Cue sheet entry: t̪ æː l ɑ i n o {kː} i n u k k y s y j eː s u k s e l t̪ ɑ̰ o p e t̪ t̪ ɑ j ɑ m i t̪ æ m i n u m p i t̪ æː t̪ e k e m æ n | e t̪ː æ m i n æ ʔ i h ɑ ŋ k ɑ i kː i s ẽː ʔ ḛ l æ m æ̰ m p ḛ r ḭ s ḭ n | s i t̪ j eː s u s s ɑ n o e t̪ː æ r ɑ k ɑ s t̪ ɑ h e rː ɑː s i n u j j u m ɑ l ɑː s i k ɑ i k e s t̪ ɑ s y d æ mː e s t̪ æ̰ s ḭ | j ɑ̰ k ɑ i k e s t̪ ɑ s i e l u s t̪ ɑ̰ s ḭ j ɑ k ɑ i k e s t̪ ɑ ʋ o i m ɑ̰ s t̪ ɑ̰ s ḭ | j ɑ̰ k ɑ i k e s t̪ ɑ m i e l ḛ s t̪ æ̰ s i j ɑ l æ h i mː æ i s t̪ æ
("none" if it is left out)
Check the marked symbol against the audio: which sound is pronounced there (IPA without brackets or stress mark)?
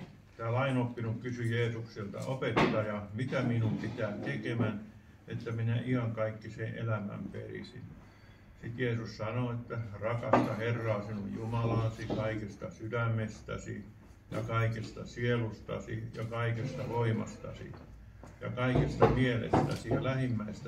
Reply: pː